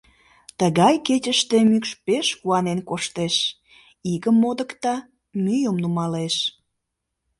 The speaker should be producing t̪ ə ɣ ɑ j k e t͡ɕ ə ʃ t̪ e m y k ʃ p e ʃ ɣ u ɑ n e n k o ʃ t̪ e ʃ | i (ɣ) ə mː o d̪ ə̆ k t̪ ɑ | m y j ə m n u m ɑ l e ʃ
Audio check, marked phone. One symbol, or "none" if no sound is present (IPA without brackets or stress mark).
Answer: ɣ